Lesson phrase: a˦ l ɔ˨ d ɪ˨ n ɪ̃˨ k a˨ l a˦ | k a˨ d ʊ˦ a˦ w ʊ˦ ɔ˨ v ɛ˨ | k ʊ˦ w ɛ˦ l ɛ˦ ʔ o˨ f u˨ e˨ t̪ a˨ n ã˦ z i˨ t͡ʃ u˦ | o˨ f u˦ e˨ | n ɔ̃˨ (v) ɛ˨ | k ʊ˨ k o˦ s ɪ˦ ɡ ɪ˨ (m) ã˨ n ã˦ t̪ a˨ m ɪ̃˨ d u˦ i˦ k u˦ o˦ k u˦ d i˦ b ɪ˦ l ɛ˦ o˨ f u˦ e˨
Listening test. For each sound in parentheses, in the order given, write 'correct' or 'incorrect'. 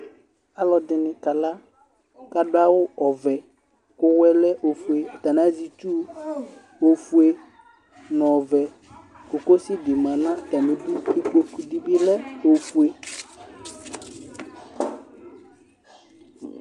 correct, correct

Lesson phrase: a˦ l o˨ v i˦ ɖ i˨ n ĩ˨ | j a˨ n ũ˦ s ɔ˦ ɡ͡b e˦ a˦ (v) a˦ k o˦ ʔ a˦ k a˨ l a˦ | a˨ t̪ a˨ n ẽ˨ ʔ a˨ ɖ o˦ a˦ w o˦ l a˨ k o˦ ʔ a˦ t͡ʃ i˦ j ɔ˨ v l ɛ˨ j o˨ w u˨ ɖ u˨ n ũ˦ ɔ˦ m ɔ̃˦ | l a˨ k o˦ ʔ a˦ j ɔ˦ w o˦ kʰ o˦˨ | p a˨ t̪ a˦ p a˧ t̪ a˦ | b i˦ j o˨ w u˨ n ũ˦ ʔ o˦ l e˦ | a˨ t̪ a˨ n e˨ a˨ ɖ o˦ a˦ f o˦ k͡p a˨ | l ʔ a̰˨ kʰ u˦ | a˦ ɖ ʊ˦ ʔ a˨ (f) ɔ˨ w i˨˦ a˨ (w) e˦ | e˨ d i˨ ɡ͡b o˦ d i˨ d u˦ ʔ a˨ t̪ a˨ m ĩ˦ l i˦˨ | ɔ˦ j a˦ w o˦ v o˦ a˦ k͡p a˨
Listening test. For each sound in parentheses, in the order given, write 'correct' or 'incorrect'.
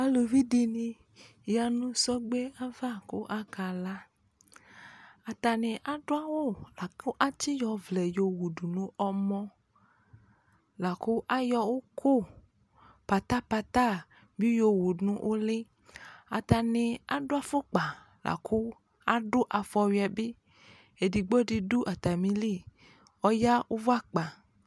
correct, correct, incorrect

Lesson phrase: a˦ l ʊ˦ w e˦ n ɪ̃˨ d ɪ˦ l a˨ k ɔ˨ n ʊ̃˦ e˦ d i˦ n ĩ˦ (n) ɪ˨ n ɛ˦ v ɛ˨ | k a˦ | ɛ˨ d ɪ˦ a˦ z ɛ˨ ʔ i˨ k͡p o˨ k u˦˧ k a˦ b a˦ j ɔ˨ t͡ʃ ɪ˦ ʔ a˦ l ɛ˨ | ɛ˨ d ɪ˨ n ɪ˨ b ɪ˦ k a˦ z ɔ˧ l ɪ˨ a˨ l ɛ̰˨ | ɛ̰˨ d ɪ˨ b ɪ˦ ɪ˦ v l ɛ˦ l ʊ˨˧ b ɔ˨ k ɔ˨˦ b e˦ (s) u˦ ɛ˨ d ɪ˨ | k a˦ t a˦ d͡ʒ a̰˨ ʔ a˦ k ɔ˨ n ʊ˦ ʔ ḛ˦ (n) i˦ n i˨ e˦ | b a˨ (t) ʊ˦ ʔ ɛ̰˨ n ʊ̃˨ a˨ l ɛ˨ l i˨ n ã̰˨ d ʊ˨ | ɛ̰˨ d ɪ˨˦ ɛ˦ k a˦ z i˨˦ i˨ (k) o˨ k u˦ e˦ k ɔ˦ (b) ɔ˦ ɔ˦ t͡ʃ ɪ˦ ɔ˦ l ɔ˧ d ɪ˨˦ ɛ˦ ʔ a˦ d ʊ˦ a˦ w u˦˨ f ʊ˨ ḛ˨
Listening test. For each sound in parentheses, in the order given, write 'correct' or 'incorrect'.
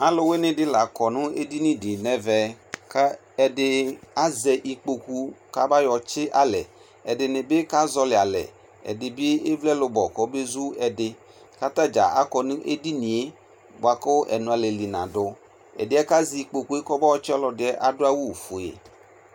incorrect, incorrect, incorrect, incorrect, incorrect, correct

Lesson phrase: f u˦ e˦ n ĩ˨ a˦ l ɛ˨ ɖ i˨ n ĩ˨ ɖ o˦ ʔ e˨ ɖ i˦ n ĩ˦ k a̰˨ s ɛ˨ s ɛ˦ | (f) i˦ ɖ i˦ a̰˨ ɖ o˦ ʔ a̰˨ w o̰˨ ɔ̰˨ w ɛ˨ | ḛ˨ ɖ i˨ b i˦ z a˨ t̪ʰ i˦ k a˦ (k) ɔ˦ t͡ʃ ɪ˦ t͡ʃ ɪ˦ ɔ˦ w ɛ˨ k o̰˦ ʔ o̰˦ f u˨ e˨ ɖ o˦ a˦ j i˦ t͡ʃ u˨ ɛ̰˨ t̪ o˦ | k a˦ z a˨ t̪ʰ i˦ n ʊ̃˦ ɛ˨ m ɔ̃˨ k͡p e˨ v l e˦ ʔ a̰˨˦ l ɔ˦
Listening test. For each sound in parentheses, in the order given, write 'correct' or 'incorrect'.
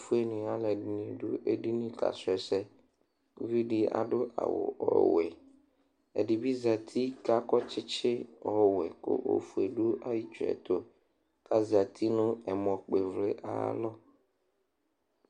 incorrect, correct

